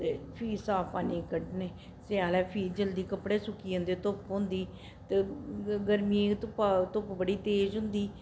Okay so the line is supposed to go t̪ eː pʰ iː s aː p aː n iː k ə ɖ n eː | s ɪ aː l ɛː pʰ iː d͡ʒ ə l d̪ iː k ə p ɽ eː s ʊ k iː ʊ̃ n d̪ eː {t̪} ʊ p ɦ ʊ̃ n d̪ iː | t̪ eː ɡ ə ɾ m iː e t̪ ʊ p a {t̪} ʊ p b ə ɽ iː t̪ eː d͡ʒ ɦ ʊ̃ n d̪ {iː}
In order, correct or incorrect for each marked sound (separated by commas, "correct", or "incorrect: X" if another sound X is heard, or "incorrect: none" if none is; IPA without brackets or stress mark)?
correct, correct, correct